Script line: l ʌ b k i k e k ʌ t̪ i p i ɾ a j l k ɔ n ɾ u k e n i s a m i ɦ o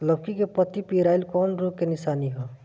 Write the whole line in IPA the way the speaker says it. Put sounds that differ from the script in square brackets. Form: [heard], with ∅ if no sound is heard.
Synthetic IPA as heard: l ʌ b k i k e [p] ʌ t̪ i p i ɾ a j l k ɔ n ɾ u k e n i s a [n] i ɦ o